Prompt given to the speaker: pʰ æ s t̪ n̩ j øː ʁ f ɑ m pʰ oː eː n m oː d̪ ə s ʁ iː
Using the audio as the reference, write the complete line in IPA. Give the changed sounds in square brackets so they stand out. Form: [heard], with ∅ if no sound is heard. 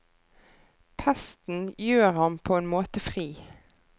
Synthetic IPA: pʰ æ s t̪ n̩ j øː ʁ [h] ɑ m pʰ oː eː n m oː [t̪] ə [f] ʁ iː